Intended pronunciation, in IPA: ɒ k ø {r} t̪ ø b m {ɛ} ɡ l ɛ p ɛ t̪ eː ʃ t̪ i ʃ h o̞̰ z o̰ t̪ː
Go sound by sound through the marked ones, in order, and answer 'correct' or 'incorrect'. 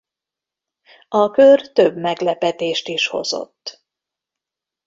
correct, correct

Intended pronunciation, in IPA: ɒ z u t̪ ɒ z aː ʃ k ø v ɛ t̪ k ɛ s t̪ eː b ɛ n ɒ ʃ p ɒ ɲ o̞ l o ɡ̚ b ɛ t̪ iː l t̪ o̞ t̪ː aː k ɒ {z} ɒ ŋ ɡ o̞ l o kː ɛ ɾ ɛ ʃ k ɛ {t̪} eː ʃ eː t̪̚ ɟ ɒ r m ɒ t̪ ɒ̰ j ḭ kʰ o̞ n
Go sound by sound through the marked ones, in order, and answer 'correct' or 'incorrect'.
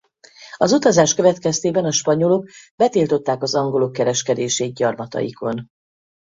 correct, incorrect: d̪

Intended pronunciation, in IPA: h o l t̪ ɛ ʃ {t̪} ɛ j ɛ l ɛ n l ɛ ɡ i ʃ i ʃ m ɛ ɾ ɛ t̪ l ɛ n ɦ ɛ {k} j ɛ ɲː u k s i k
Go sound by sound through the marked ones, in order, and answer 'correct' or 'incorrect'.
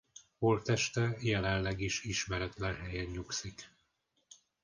correct, incorrect: none

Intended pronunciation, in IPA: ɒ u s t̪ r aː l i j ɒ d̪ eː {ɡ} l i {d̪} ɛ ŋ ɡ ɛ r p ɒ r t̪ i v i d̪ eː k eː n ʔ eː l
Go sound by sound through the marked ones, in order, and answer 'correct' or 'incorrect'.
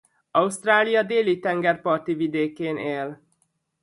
incorrect: none, incorrect: t̪

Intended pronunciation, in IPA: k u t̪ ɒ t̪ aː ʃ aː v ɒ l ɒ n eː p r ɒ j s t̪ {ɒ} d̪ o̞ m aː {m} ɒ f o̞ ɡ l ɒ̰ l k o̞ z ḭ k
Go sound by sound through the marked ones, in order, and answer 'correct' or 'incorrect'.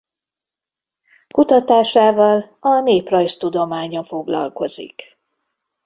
incorrect: u, incorrect: ɲ

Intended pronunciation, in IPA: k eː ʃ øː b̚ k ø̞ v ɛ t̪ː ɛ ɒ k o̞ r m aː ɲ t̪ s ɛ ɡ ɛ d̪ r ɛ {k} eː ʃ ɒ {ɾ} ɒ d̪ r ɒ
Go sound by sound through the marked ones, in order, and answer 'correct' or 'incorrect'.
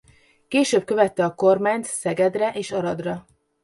incorrect: ʔ, correct

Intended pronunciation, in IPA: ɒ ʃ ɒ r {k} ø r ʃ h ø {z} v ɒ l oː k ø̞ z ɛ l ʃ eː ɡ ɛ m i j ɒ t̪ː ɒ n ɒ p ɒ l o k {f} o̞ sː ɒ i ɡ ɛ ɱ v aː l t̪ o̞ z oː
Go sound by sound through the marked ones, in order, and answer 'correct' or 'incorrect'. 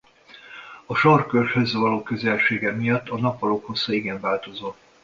correct, correct, incorrect: h

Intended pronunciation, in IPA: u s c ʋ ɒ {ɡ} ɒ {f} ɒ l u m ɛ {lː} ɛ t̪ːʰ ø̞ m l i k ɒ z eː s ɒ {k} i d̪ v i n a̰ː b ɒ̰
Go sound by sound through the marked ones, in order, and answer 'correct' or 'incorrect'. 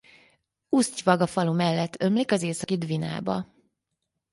correct, correct, correct, correct

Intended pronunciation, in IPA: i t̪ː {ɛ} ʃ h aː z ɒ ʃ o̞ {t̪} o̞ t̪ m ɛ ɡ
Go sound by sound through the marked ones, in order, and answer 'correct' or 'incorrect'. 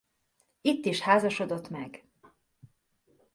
incorrect: i, incorrect: d̪

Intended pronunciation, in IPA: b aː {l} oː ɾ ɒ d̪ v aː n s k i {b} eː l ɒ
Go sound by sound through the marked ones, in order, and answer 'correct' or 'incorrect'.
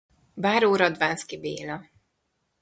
incorrect: ɾ, correct

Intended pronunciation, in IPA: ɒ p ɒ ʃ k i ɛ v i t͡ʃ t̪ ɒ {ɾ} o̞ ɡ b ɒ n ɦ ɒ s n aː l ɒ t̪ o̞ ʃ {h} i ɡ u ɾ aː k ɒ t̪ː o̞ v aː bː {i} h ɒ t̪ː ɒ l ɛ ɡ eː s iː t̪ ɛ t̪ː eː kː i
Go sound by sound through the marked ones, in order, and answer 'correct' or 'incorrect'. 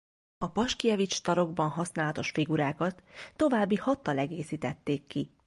correct, incorrect: f, correct

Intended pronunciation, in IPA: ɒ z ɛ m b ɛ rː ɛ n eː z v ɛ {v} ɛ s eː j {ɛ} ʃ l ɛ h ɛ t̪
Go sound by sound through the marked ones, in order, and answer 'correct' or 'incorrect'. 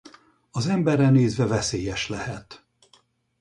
correct, correct

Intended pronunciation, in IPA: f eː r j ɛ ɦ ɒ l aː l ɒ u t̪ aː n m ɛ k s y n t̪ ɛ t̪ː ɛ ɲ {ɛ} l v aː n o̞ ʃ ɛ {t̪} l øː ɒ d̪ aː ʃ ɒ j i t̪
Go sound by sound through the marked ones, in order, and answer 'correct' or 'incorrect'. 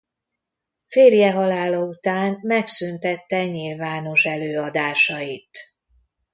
incorrect: i, incorrect: none

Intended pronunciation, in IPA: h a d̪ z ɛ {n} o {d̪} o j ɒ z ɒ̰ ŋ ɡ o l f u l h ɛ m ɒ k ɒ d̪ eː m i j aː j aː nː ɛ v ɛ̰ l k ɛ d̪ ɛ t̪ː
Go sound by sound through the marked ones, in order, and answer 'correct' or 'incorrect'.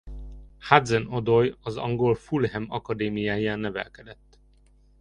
correct, correct

